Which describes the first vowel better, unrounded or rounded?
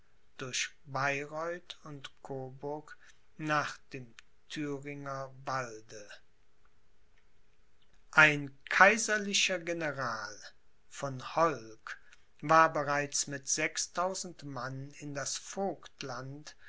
rounded